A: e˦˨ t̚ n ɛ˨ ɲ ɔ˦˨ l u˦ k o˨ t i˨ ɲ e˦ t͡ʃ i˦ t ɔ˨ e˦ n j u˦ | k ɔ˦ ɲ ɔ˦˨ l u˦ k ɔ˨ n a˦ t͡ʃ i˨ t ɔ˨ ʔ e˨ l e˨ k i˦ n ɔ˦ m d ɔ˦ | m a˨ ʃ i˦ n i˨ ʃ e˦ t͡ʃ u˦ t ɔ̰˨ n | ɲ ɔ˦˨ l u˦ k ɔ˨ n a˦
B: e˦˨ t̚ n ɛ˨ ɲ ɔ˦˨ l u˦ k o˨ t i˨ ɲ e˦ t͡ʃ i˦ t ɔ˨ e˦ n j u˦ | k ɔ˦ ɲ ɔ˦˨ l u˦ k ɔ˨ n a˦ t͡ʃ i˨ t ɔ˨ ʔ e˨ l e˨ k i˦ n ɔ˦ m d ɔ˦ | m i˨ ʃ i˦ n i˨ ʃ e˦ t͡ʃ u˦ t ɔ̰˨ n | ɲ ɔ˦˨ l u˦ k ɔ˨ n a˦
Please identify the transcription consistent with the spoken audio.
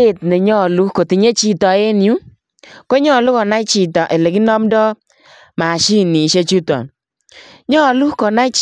A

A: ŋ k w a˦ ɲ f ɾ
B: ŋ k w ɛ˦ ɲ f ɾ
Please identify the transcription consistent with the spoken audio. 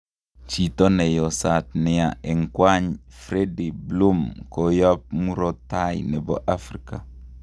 A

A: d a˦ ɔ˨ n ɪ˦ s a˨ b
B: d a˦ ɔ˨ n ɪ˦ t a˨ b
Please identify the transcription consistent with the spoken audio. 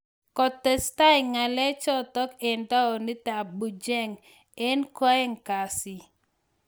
B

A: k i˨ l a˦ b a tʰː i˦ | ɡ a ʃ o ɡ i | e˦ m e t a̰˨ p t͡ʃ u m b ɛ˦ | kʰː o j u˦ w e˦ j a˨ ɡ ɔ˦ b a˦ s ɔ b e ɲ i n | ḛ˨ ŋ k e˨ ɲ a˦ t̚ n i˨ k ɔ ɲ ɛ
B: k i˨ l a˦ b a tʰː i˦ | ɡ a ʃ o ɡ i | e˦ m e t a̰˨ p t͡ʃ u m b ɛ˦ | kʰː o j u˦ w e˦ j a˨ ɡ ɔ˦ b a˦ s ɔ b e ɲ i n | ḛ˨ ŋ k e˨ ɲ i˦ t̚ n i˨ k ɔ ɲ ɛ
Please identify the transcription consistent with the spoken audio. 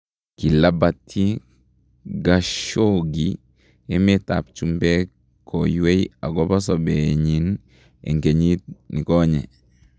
B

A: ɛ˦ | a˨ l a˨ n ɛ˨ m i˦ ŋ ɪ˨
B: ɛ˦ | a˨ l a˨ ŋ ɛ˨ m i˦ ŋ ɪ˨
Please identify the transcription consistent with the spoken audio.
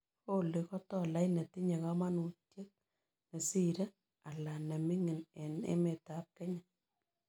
A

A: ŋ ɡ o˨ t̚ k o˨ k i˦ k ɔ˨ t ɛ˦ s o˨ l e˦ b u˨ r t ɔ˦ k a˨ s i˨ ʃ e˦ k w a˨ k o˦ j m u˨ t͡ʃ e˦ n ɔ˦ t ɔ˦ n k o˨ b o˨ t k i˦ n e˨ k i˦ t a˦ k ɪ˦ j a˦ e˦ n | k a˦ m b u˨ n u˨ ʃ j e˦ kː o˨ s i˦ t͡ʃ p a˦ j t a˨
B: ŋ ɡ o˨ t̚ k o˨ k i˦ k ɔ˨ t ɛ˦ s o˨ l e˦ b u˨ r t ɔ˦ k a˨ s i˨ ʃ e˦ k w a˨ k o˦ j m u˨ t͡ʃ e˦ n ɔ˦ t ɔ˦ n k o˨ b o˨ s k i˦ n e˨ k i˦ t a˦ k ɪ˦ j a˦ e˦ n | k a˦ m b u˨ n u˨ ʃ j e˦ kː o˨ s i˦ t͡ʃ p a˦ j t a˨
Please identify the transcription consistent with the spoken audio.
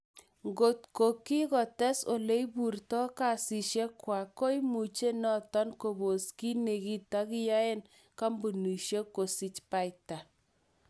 B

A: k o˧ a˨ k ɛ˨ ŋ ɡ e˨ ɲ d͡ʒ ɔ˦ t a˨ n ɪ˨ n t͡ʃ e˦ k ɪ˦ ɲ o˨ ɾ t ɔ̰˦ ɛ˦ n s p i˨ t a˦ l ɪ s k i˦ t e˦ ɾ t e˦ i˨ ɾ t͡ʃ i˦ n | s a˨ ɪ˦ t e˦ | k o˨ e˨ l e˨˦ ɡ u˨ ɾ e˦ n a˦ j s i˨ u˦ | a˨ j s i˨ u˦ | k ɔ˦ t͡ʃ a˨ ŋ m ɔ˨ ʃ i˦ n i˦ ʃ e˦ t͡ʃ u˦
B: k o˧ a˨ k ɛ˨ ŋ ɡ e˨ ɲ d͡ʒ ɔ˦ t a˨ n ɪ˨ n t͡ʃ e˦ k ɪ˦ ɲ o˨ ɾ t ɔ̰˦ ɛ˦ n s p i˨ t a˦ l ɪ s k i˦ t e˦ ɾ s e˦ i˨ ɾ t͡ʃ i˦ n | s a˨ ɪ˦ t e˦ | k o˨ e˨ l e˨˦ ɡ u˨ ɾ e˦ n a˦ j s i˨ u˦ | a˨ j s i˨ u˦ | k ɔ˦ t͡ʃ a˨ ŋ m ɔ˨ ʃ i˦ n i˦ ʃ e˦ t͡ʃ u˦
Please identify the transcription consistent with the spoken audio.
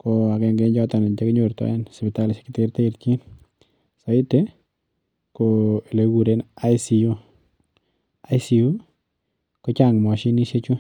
A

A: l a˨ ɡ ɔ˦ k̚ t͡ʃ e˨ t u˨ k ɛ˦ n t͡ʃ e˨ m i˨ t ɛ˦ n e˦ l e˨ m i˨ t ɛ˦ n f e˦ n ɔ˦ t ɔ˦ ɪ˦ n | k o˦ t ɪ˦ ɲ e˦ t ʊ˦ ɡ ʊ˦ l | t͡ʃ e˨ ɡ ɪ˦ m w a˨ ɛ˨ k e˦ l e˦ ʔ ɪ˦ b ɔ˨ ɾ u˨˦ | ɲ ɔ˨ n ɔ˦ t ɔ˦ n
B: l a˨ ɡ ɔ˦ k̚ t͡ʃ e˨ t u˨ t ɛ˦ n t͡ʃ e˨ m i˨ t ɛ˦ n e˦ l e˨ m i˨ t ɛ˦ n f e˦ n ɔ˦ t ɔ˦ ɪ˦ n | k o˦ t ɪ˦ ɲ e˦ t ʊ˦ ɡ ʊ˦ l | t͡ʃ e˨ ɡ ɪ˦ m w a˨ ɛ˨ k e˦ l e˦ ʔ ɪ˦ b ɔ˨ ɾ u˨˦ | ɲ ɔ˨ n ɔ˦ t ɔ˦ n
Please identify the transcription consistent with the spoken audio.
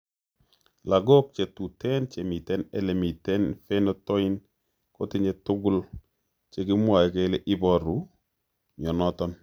B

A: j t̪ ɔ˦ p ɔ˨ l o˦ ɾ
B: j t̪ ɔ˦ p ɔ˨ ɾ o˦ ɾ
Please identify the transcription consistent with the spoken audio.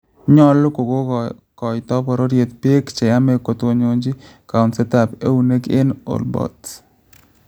B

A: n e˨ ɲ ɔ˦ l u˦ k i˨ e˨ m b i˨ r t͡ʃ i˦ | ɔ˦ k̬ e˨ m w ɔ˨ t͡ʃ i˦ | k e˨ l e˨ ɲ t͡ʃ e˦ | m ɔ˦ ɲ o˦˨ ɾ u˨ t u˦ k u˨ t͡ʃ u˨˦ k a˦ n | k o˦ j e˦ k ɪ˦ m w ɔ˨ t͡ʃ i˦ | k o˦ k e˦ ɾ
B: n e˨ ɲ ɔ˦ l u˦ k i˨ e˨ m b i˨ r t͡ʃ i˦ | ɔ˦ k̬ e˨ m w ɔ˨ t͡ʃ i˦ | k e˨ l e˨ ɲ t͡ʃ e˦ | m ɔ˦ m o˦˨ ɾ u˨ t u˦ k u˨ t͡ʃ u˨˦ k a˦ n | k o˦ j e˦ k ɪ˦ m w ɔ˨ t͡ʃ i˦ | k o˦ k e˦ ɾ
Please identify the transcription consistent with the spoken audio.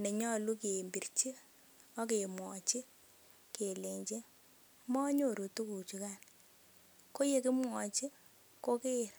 A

